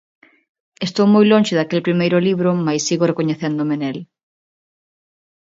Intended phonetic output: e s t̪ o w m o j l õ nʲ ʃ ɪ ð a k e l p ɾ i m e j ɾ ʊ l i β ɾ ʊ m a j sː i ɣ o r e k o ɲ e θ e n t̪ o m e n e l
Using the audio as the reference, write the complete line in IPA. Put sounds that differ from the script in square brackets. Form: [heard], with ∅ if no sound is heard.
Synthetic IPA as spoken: e s t̪ o w m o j l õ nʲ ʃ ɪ ð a k e l p ɾ i m e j ɾ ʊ l i β ɾ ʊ m a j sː i ɣ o r e k o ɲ e θ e n [d̪] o m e n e l